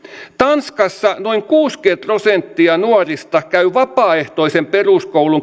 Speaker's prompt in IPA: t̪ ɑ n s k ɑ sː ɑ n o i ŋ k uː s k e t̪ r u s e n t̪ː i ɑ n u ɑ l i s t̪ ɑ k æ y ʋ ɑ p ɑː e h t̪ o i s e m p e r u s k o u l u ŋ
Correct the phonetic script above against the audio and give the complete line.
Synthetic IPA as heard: t̪ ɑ n s k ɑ sː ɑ n o i ŋ k uː s k e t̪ r o s e n t̪ː i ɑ n u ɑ r i s t̪ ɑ k æ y ʋ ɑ p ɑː e h t̪ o i s e m p e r u s k o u l u ŋ